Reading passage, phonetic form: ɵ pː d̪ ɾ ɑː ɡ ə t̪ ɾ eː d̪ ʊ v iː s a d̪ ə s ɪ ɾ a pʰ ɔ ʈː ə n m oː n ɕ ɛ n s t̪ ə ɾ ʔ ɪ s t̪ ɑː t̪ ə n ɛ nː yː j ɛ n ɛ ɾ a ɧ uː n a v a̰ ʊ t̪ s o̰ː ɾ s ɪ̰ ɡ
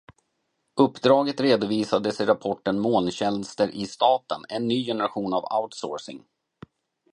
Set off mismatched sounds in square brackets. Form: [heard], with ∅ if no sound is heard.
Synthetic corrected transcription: ɵ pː d̪ ɾ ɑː ɡ ə t̪ ɾ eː d̪ ʊ v iː s a d̪ ə s ɪ ɾ a pʰ ɔ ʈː ə n m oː n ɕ ɛ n s t̪ ə ɾ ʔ ɪ s t̪ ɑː t̪ ə n ɛ nː yː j ɛ n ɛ ɾ a ɧ uː n a v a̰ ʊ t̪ s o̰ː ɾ s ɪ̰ [ŋ]